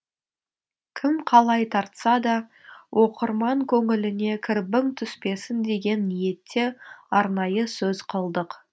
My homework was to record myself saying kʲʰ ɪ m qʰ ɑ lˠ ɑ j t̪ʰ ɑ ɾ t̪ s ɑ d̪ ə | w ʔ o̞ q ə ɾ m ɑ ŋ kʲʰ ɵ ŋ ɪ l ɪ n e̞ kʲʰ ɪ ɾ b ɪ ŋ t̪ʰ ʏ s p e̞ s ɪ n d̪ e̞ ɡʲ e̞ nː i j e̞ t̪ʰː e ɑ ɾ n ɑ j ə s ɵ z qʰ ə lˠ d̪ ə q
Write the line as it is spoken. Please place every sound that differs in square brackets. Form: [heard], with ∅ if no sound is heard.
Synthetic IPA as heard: kʲʰ ɪ m qʰ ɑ lˠ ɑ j t̪ʰ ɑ ɾ t̪ s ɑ d̪ [ɑ] | w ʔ o̞ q ə ɾ m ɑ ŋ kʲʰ ɵ ŋ ɪ l ɪ n e̞ kʲʰ ɪ ɾ b ɪ ŋ t̪ʰ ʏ s p e̞ s ɪ n d̪ e̞ ɡʲ e̞ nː i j e̞ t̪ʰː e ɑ ɾ n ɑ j ə s ɵ z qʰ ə lˠ d̪ ə q